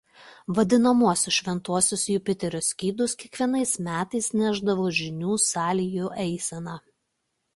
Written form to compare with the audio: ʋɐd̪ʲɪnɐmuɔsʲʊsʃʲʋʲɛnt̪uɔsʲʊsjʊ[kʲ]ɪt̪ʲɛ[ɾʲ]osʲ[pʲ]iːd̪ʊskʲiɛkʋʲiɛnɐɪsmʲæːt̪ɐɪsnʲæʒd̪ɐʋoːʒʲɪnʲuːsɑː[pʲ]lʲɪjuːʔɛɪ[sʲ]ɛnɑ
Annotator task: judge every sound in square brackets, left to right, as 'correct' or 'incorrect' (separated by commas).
incorrect, correct, incorrect, incorrect, correct